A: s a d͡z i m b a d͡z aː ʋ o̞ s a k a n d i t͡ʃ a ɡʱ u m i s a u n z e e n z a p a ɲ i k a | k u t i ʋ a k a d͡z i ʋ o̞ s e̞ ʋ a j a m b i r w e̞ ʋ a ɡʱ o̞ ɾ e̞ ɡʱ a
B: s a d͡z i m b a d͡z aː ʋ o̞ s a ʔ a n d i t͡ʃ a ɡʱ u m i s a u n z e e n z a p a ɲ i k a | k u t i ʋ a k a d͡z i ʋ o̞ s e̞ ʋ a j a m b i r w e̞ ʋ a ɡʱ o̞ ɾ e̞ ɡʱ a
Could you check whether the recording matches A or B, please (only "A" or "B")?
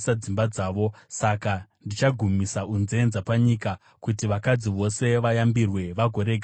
A